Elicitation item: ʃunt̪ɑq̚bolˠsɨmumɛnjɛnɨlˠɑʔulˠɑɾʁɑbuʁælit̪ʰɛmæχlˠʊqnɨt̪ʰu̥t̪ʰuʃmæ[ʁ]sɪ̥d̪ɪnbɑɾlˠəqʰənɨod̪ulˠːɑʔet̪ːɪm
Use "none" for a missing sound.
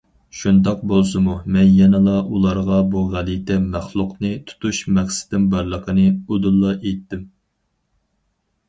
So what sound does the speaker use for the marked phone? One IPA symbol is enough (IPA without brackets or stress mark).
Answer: χ